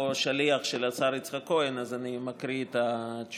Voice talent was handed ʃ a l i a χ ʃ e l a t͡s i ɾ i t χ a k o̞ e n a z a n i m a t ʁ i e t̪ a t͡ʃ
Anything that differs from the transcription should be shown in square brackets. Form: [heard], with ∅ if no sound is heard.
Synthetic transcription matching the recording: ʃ a l i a χ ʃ e l a t͡s [a] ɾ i [t͡s] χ a k o̞ e n a z a n i m a [k] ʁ i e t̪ a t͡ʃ